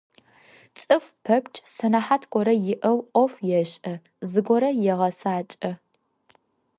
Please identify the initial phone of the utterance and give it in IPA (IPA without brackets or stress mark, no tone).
t͡sʼ